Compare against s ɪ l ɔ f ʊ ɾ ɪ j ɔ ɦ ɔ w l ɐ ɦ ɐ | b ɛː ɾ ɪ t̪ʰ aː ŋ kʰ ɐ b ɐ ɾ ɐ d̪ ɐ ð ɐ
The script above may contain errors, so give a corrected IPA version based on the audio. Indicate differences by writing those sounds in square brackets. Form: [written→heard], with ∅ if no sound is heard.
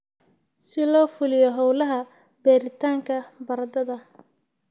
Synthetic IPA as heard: s ɪ l [ɔ→ɔː] f ʊ [ɾ→l] ɪ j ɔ ɦ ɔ w l ɐ ɦ ɐ | b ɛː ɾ ɪ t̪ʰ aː ŋ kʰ ɐ b ɐ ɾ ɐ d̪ ɐ ð ɐ